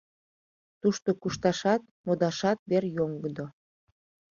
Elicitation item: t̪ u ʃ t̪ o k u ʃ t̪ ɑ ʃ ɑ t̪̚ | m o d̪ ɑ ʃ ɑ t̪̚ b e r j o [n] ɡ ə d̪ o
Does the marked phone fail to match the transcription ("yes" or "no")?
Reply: yes